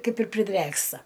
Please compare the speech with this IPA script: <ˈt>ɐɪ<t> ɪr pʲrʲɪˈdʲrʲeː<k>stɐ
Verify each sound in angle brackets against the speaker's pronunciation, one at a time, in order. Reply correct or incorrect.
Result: incorrect: k, incorrect: p, correct

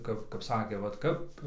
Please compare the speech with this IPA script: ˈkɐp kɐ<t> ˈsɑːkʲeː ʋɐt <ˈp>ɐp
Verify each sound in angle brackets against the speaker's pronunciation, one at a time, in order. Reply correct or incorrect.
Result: incorrect: p, incorrect: k

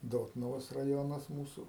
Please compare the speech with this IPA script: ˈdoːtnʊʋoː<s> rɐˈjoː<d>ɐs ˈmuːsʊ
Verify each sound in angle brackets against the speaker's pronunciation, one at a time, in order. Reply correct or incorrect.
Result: correct, incorrect: n

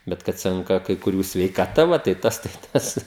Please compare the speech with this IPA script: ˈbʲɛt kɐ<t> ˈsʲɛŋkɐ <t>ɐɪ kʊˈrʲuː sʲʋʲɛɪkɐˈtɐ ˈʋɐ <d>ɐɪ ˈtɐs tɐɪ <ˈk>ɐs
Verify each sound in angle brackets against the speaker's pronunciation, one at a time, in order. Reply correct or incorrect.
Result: correct, incorrect: k, incorrect: t, incorrect: t

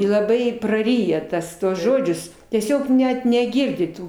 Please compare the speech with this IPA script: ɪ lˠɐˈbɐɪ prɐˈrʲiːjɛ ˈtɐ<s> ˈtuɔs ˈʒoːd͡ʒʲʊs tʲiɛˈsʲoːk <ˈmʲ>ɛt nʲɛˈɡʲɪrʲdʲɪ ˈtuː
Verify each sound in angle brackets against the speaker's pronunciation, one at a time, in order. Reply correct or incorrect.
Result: correct, incorrect: nʲ

